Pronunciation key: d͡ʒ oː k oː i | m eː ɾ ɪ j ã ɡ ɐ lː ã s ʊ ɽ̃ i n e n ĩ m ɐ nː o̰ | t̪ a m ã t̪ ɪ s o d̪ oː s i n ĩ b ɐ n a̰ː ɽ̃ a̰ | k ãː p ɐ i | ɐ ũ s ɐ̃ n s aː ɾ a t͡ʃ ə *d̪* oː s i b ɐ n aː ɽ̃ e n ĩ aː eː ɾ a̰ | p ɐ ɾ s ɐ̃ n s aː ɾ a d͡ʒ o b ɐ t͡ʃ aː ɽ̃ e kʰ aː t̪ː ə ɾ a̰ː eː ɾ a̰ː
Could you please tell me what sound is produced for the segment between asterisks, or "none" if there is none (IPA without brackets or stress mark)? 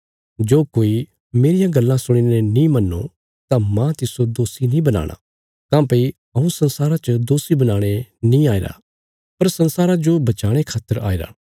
d̪